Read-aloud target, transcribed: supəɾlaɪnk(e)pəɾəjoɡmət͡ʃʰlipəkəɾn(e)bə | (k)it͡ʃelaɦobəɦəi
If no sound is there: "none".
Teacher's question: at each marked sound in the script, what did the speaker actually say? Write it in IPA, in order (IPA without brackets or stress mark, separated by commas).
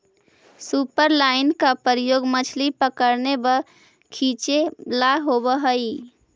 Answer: a, e, kʰ